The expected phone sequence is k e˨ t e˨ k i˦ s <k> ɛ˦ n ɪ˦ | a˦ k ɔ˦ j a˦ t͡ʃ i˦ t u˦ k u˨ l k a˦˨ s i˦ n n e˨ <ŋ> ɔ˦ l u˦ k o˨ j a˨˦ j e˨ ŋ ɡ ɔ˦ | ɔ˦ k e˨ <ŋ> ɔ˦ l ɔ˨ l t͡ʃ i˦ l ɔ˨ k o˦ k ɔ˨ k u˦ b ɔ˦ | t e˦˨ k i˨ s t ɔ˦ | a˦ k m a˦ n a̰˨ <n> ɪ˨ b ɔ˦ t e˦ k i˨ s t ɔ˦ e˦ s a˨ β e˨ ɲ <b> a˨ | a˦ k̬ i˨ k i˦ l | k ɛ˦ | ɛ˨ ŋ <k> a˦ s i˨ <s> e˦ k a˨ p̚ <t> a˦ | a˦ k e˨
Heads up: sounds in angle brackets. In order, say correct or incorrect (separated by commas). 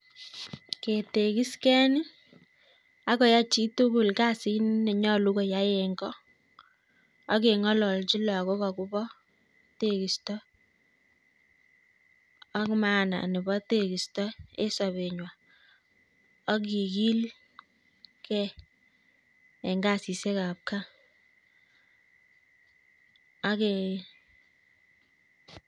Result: correct, incorrect, correct, correct, incorrect, incorrect, correct, incorrect